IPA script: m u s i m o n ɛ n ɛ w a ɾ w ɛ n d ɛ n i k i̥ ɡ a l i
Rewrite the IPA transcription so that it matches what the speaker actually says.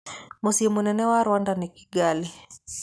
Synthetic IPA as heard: m u s i m u n ɛ n ɛ w a ɾ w a n d a n i k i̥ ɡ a l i